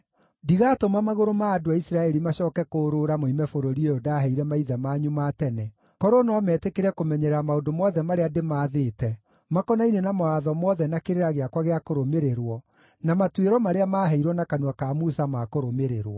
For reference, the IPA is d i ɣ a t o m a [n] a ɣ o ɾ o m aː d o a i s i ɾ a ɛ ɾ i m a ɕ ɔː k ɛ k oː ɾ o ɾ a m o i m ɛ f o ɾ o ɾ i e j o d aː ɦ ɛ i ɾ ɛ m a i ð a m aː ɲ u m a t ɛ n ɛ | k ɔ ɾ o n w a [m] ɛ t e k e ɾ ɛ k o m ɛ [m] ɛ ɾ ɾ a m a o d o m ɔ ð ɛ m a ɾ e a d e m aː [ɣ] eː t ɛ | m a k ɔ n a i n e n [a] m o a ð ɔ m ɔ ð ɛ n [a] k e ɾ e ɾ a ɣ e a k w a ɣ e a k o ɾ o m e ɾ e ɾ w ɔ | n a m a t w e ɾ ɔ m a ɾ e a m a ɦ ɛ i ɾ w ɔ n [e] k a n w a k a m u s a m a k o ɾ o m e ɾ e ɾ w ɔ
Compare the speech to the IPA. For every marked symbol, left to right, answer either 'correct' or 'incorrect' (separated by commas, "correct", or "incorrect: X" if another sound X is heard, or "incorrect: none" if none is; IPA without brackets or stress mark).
incorrect: m, correct, incorrect: ɲ, incorrect: ð, correct, correct, incorrect: a